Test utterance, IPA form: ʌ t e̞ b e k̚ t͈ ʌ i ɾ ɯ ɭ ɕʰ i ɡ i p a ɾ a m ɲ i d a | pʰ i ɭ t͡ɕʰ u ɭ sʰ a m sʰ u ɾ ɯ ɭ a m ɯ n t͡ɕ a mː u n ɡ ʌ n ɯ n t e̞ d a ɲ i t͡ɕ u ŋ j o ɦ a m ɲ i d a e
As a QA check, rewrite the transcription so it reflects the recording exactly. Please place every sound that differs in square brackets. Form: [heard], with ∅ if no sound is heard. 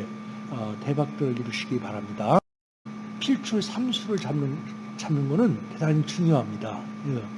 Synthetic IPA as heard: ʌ t e̞ b [a] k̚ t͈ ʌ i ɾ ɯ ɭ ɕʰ i ɡ i p a ɾ a m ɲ i d a | pʰ i ɭ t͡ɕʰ u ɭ sʰ a m sʰ u ɾ ɯ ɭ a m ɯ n t͡ɕ a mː [ɯ] n ɡ ʌ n ɯ n t e̞ d a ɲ i t͡ɕ u ŋ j o ɦ a m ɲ i d a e